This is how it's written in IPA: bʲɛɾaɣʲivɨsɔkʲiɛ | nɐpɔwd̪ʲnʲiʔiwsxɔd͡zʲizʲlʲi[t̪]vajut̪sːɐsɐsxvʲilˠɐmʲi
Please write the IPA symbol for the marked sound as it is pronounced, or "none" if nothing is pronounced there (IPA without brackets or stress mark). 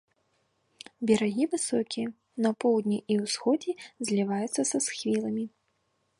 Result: none